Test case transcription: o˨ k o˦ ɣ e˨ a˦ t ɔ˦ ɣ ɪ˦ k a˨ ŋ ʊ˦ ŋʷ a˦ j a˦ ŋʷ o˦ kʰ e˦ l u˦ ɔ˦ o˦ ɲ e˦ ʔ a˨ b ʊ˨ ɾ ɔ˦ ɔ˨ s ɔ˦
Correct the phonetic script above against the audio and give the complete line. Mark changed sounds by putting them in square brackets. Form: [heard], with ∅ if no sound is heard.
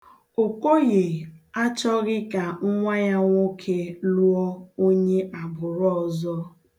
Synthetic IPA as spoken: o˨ k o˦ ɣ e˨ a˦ [t͡ʃ] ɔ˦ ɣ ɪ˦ k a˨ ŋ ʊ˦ ŋʷ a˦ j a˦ ŋʷ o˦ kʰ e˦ l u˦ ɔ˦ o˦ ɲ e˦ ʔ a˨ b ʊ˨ ɾ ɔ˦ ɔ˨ [z] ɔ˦